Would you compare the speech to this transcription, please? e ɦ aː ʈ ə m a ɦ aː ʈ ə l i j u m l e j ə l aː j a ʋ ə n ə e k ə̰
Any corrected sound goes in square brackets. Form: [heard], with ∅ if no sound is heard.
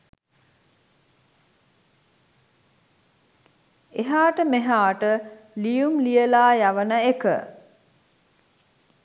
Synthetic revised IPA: e ɦ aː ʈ ə m [e] ɦ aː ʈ ə l i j u m l [i] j ə l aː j a ʋ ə n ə e k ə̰